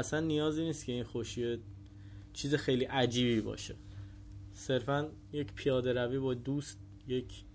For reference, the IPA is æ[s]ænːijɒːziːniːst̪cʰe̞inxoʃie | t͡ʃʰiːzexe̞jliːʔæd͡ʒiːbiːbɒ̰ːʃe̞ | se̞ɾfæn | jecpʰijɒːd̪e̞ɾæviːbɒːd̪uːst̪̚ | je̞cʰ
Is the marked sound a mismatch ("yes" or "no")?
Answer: no